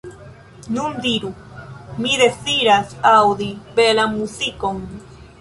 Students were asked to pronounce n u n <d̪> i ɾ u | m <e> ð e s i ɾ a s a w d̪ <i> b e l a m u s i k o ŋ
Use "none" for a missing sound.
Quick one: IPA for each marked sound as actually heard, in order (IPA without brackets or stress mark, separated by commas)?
d̪, i, i